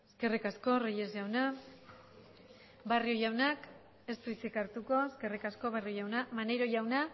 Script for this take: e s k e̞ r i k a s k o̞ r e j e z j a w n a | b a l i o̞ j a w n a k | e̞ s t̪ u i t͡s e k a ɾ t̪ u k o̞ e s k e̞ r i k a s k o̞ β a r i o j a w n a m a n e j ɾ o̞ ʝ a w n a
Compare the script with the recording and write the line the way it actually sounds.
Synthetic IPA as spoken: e s k e̞ r i k a s k o̞ r e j e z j a w n a | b a r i o̞ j a w n a k | e̞ s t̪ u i t͡s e k a ɾ t̪ u k o̞ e s k e̞ r i k a s k o̞ β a r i o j a w n a m a n e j ɾ o̞ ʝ a w n a

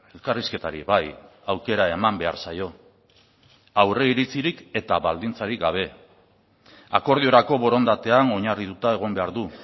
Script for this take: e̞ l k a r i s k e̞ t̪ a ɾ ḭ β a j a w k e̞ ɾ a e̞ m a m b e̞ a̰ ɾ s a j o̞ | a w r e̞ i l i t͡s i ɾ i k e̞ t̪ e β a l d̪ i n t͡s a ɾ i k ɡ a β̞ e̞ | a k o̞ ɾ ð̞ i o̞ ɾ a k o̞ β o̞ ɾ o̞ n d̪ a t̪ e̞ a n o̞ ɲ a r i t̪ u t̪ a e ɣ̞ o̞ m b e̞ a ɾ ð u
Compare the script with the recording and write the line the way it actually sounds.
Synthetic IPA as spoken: e̞ l k a r i s k e̞ t̪ a ɾ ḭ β a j a w k e̞ ɾ a e̞ m a m b e̞ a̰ ɾ s a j o̞ | a w r e̞ i ɾ i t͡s i ɾ i k e̞ t̪ a β a l d̪ i n t͡s a ɾ i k ɡ a β̞ e̞ | a k o̞ ɾ ð̞ i o̞ ɾ a k o̞ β o̞ ɾ o̞ n d̪ a t̪ e̞ a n o̞ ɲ a r i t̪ u t̪ a e ɣ̞ o̞ m b e̞ a ɾ ð u

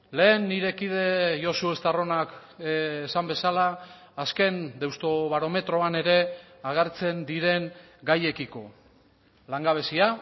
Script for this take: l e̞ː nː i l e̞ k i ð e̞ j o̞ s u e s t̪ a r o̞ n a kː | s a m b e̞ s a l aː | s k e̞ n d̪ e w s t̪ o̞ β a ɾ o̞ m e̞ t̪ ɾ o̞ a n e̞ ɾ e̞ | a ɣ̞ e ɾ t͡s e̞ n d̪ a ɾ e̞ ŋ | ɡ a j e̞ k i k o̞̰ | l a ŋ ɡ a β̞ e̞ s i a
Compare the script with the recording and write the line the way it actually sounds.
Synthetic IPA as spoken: l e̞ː nː i ɾ e̞ k i ð e̞ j o̞ s u e s t̪ a r o̞ n a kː | s a m b e̞ s a l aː | s k e̞ n d̪ e w s t̪ o̞ β a ɾ o̞ m e̞ t̪ ɾ o̞ a n e̞ ɾ e̞ | a ɣ̞ e ɾ t͡s e̞ n d̪ i ɾ e̞ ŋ | ɡ a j e̞ k i k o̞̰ | l a ŋ ɡ a β̞ e̞ s i a

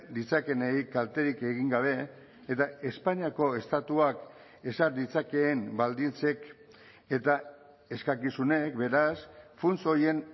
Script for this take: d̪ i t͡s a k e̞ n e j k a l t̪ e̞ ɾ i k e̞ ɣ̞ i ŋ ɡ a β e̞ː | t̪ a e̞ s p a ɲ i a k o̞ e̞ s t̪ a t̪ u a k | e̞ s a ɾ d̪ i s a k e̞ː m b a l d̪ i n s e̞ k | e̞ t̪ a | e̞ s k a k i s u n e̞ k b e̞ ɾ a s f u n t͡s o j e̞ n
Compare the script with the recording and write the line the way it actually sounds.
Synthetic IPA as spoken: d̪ i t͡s a k e̞ n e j k a l t̪ e̞ ɾ i k e̞ ɣ̞ i ŋ ɡ a β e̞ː | t̪ a e̞ s p a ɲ i a k o̞ e̞ s t̪ a t̪ u a k | e̞ s a ɾ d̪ i t͡s a k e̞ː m b a l d̪ i n t͡s e̞ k | e̞ t̪ a | e̞ s k a k i s u n e̞ k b e̞ ɾ a s f u n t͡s o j e̞ n

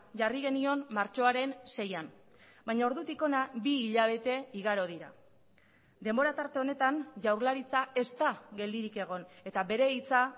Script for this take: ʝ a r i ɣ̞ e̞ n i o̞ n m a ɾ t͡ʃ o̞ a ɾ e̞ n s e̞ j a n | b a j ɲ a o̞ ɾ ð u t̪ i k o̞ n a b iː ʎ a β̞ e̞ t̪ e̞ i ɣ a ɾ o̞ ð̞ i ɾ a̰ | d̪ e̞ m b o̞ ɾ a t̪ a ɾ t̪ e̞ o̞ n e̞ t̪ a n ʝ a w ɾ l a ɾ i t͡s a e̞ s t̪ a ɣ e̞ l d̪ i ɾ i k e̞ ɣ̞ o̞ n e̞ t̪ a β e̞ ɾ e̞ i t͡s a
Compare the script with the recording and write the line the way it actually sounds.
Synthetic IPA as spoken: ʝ a r i ɣ̞ e̞ n i o̞ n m a ɾ t͡ʃ o̞ a ɾ e̞ n s e̞ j a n | b a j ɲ a o̞ ɾ ð u t̪ i k o̞ n a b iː ʎ a β̞ e̞ t̪ e̞ i ɣ a ɾ o̞ ð̞ i ɾ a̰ | d̪ e̞ m b o̞ ɾ a t̪ a ɾ t̪ e̞ o̞ n e̞ t̪ a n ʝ a w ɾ l a ɾ i t͡s a e̞ s t̪ a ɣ e̞ l d̪ i ɾ i k e̞ ɣ̞ o̞ n e̞ t̪ a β e̞ ɾ e̞ i t͡s a

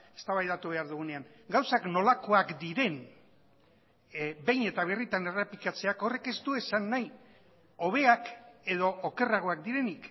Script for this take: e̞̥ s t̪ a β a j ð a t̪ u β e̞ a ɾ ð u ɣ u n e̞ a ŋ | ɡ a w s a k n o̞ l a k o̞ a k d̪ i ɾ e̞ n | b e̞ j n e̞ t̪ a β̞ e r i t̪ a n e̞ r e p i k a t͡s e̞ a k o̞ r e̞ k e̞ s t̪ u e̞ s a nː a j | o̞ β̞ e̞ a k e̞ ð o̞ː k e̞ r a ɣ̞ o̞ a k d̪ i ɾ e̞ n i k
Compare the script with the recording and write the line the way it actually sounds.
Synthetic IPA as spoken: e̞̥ s t̪ a β a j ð a t̪ u β e̞ a ɾ ð u ɣ u n e̞ a ŋ | ɡ a w s a k n o̞ l a k o̞ a k d̪ i ɾ e̞ n | b e̞ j n e̞ t̪ a β̞ e r i t̪ a n e̞ r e p i k a t͡s e̞ a k o̞ r e̞ k e̞ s t̪ u e̞ s a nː a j | o̞ β̞ e̞ a k e̞ ð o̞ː k e̞ r a ɣ̞ o̞ a k d̪ i ɾ e̞ n i k

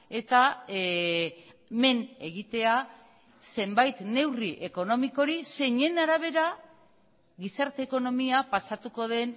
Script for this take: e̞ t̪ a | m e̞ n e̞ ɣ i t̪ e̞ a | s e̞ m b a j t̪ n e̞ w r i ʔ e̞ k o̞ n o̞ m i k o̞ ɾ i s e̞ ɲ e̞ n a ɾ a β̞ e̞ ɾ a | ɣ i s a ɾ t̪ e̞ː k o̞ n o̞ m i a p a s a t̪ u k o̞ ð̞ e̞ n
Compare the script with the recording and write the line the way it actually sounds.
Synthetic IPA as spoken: e̞ t̪ a | m e̞ n e̞ ɣ i t̪ e̞ a | s e̞ m b a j t̪ n e̞ w r i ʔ e̞ k o̞ n o̞ m i k o̞ ɾ i s e̞ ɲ e̞ n a ɾ a β̞ e̞ ɾ a | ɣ i s a ɾ t̪ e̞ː k o̞ n o̞ m i a p a s a t̪ u k o̞ ð̞ e̞ n

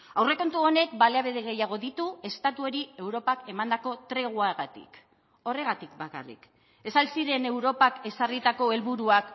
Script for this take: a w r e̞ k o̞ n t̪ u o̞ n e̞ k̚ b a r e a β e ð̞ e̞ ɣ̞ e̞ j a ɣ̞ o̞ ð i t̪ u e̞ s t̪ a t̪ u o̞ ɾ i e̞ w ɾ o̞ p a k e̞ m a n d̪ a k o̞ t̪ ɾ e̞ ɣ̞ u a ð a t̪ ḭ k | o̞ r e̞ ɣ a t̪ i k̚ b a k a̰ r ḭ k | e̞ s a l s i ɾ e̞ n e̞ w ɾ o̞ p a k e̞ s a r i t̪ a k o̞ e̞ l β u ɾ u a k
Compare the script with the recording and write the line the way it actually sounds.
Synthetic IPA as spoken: a w r e̞ k o̞ n t̪ u o̞ n e̞ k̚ b a l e a β e ð̞ e̞ ɣ̞ e̞ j a ɣ̞ o̞ ð i t̪ u e̞ s t̪ a t̪ u o̞ ɾ i e̞ w ɾ o̞ p a k e̞ m a n d̪ a k o̞ t̪ ɾ e̞ ɣ̞ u a ɣ a t̪ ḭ k | o̞ r e̞ ɣ a t̪ i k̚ b a k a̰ r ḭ k | e̞ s a l s i ɾ e̞ n e̞ w ɾ o̞ p a k e̞ s a r i t̪ a k o̞ e̞ l β u ɾ u a k

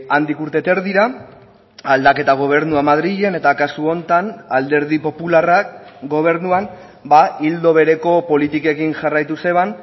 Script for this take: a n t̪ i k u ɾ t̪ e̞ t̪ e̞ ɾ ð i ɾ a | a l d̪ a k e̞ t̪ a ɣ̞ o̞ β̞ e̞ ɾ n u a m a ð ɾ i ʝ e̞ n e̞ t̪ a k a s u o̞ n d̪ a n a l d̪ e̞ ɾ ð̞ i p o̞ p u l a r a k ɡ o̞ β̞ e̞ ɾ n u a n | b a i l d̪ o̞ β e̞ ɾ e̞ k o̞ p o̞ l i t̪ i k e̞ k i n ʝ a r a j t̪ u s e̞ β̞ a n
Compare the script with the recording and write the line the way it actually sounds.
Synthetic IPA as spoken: a n d̪ i k u ɾ t̪ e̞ t̪ e̞ ɾ ð i ɾ a | a l d̪ a k e̞ t̪ a ɣ̞ o̞ β̞ e̞ ɾ n u a m a ð ɾ i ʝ e̞ n e̞ t̪ a k a s u o̞ n t̪ a n a l d̪ e̞ ɾ ð̞ i p o̞ p u l a r a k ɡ o̞ β̞ e̞ ɾ n u a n | b a i l d̪ o̞ β e̞ ɾ e̞ k o̞ p o̞ l i t̪ i k e̞ k i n ʝ a r a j t̪ u s e̞ β̞ a n

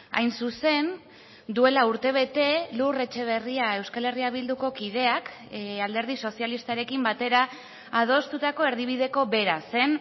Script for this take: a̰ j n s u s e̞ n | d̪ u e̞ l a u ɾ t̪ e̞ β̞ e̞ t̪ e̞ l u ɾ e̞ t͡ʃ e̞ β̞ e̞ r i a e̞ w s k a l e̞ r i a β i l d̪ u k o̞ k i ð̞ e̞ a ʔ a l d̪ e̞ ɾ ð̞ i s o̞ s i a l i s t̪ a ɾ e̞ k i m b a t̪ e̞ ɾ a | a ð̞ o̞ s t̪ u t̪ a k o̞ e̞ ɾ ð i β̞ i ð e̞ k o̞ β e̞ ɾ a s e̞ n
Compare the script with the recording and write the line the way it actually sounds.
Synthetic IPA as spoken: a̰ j n s u s e̞ n | d̪ u e̞ l a u ɾ t̪ e̞ β̞ e̞ t̪ e̞ l u r e̞ t͡ʃ e̞ β̞ e̞ r i a e̞ w s k a l e̞ r i a β i l d̪ u k o̞ k i ð̞ e̞ a k a l d̪ e̞ ɾ ð̞ i s o̞ s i a l i s t̪ a ɾ e̞ k i m b a t̪ e̞ ɾ a | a ð̞ o̞ s t̪ u t̪ a k o̞ e̞ ɾ ð i β̞ i ð e̞ k o̞ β e̞ ɾ a s e̞ n

